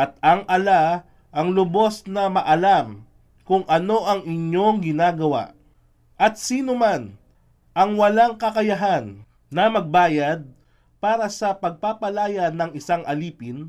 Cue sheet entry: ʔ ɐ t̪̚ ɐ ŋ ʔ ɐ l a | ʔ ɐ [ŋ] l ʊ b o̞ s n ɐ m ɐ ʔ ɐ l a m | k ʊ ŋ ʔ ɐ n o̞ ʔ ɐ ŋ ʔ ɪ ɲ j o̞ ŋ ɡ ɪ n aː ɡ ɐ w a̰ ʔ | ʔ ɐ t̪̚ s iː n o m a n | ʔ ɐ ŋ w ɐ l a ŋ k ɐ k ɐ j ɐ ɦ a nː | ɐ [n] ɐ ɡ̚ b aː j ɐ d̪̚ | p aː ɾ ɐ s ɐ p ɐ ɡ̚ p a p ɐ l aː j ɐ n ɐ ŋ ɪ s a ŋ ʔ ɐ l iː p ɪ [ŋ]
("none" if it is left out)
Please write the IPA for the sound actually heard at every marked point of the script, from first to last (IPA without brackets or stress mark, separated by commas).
ŋ, m, n